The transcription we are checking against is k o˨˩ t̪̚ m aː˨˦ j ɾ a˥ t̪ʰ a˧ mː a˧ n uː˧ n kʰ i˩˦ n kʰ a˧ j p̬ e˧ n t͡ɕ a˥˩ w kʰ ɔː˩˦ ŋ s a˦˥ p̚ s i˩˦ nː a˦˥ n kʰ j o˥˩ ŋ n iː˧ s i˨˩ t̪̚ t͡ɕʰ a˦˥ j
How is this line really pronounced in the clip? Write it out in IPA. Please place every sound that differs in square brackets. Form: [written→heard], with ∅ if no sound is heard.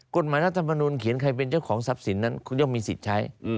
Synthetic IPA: k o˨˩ t̪̚ m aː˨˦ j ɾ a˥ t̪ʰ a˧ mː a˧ n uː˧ n kʰ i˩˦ n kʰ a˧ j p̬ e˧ n t͡ɕ a˥˩ w kʰ ɔː˩˦ ŋ s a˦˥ p̚ s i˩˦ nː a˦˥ n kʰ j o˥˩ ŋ [n→m] iː˧ s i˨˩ t̪̚ t͡ɕʰ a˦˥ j